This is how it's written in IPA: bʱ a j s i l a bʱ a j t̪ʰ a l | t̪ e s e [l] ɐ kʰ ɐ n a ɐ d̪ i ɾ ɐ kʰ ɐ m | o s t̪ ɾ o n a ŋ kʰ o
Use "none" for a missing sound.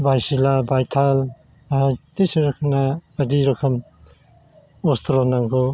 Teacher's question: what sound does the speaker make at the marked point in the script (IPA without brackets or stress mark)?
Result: ɾ